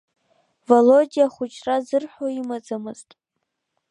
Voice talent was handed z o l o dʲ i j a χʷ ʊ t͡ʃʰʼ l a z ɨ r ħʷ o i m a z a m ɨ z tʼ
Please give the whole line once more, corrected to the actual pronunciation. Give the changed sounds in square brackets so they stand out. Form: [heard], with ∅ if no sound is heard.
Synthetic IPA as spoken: [v] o l o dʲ i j a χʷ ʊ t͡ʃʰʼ [r] a z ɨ r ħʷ o i m a [d͡z] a m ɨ z tʼ

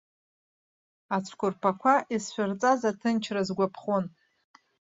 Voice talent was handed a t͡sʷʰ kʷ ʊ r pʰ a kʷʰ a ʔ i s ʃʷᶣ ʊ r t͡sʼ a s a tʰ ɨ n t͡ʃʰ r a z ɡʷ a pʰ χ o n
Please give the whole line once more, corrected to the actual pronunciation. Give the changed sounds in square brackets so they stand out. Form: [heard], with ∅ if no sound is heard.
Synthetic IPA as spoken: a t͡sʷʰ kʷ ʊ r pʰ a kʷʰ a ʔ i s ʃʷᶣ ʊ r t͡sʼ a [z] a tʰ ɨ n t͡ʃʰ r a z ɡʷ a pʰ χ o n

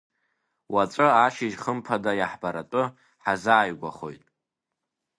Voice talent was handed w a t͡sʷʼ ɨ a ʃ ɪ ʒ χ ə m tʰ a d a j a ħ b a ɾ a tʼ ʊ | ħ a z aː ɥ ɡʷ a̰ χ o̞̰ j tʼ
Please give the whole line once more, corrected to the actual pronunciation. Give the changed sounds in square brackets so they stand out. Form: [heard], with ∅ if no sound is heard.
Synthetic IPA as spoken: w a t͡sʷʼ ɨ a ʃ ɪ ʒ χ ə m [pʰ] a d a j a ħ b a ɾ a tʼ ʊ | ħ a z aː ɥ ɡʷ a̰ χ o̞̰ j tʼ

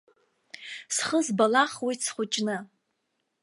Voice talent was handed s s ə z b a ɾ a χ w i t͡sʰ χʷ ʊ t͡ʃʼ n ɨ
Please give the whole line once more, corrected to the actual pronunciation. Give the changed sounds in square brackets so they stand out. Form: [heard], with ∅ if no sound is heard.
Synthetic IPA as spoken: s [χ] ə z b a [l] a χ w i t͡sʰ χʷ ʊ t͡ʃʼ n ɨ

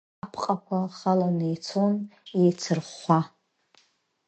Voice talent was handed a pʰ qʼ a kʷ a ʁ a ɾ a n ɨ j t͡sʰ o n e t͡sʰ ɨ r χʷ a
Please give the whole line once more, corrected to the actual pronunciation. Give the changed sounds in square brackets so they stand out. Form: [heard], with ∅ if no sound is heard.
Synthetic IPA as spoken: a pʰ qʼ a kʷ a [χ] a [l] a n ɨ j t͡sʰ o n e t͡sʰ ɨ r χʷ a

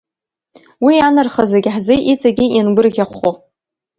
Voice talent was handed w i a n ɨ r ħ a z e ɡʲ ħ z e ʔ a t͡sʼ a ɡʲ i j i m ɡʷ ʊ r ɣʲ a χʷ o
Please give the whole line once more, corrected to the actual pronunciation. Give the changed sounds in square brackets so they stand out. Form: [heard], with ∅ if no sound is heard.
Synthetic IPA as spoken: w i a n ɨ r [χ] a z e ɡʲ ħ z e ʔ [i] t͡sʼ a ɡʲ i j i [n] ɡʷ ʊ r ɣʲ a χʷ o

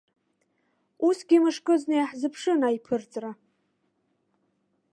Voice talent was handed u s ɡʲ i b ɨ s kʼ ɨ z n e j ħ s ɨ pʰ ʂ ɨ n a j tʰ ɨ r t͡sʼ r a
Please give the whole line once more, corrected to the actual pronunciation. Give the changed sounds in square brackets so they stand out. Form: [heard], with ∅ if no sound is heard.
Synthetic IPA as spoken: u s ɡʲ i [m] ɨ [ʂ] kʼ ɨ z n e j ħ [z] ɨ pʰ ʂ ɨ n a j [pʰ] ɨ r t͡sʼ r a

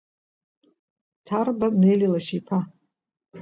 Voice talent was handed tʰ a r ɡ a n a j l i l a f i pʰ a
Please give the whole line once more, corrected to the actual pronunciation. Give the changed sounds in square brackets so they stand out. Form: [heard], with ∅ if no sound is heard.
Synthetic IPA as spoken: tʰ a r [b] a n [e] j l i l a [ʃ] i pʰ a

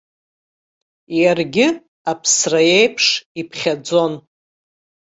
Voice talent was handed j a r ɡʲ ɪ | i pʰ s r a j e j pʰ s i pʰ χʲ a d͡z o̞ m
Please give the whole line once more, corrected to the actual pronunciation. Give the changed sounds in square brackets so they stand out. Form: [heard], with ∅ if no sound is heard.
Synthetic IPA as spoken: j a r ɡʲ ɪ | [a] pʰ s r a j e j pʰ [ʂ] i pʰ χʲ a d͡z o̞ [n]

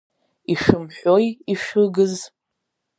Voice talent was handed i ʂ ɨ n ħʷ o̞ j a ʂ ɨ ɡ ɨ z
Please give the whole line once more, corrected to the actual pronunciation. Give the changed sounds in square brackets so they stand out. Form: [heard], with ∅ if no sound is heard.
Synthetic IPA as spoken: i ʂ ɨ [m] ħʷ o̞ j [i] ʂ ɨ ɡ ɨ z

